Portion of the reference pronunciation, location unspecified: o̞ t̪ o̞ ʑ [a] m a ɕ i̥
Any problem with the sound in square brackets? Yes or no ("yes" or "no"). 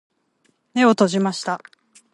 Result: yes